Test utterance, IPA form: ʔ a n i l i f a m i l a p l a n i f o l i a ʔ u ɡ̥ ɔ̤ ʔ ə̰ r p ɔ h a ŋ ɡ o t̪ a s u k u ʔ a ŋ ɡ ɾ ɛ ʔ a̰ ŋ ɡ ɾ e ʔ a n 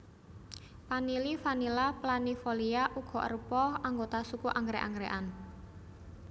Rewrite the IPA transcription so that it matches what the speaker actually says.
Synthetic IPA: p a n i l i f a n i l a p l a n i f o l i a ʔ u ɡ̥ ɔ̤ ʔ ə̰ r p ɔ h a ŋ ɡ o t̪ a s u k u ʔ a ŋ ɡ ɾ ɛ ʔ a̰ ŋ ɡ ɾ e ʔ a n

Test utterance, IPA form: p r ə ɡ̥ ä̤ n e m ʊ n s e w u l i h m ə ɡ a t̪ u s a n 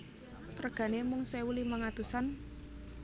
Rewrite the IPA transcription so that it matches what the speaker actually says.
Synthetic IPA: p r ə ɡ̥ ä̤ n e m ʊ ŋ s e w u l i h m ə ŋ a t̪ u s a n

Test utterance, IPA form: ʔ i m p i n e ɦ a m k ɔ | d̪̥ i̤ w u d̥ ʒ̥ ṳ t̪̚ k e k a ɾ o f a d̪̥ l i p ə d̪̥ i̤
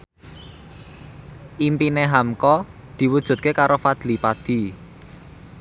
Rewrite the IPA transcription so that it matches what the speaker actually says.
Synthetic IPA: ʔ i m p i n e ɦ a m k ɔ | d̪̥ i̤ w u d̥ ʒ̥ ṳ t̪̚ k e k a ɾ o f a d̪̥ l i p a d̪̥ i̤

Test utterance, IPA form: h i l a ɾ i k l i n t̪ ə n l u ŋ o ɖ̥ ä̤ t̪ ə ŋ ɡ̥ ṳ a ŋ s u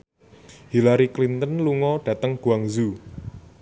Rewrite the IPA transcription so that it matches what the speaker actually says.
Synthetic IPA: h i l a ɾ i k l i n t̪ ə n l u ŋ ɔ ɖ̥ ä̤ t̪ ə ŋ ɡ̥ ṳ a ŋ z u

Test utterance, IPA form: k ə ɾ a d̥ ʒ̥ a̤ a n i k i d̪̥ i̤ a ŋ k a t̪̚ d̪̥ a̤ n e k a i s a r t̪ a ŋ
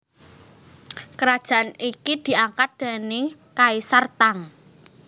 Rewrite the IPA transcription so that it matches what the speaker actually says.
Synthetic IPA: k ə ɾ a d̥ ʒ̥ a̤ a n i k i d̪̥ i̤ a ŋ k a t̪̚ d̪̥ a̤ n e k a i s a r t̪ a ŋ

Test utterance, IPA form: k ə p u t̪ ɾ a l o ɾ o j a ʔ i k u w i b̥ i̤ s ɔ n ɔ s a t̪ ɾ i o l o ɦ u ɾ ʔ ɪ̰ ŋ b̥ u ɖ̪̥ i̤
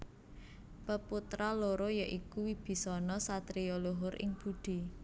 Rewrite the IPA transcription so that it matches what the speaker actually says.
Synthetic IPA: p ə p u t̪ ɾ a l o ɾ o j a ʔ i k u w i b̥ i̤ s ɔ n ɔ s a t̪ ɾ i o l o ɦ ʊ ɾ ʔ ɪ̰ ŋ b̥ u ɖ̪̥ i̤

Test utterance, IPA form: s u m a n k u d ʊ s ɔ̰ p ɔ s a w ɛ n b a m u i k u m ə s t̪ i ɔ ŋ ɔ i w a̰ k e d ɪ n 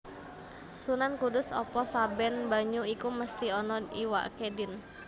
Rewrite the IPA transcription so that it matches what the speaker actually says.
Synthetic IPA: s u n a n k u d ʊ s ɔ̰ p ɔ s a b ɛ n b a ɲ u i k u m ə s t̪ i ɔ n ɔ i w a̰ k e d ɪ n

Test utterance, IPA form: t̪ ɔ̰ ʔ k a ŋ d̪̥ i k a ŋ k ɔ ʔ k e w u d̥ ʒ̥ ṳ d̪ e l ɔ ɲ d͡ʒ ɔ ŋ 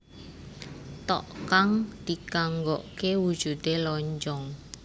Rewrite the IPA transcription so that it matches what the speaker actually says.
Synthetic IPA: t̪ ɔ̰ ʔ k a ŋ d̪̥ i k a ŋ ɡ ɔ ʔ k e w u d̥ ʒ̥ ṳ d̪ e l ɔ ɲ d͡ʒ ɔ ŋ

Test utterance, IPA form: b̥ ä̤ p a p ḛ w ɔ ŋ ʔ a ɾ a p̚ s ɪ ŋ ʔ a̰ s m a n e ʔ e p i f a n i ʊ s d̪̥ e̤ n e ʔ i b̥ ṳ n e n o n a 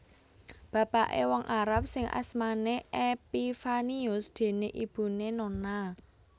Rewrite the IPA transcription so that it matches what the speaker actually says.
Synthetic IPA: b̥ ä̤ p a ʔ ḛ w ɔ ŋ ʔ a ɾ a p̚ s ɪ ŋ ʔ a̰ s m a n e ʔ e p i f a n i ʊ s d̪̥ e̤ n e ʔ i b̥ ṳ n e n o n a

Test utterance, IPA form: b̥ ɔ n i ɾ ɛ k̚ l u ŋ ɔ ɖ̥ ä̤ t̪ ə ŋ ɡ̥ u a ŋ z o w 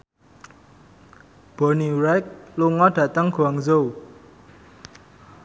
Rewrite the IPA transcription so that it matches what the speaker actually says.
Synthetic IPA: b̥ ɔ n i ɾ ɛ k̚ l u ŋ ɔ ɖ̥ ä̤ t̪ ə ŋ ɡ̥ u a ŋ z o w

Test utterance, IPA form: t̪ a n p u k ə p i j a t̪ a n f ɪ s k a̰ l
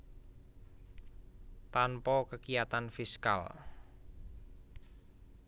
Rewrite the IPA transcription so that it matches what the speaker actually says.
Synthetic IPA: t̪ a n p ɔ k ə k i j a t̪ a n f i s k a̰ l

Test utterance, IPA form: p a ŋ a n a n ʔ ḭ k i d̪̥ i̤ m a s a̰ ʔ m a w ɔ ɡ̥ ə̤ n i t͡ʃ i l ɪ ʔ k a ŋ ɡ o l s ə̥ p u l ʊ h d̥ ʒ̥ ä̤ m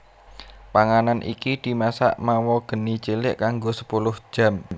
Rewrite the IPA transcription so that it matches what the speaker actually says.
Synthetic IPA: p a ŋ a n a n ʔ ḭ k i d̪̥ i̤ m a s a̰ ʔ m a w ɔ ɡ̥ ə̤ n i t͡ʃ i l ɪ ʔ k a ŋ ɡ o s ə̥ p u l ʊ h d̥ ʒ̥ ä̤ m

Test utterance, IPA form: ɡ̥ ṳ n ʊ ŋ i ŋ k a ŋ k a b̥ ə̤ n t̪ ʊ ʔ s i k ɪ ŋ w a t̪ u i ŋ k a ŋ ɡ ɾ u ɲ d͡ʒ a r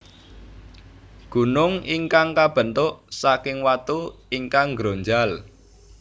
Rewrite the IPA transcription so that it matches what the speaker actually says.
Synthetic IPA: ɡ̥ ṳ n ʊ ŋ i ŋ k a ŋ k a b̥ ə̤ n t̪ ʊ ʔ s a k ɪ ŋ w a t̪ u i ŋ k a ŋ ɡ ɾ o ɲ d͡ʒ a l

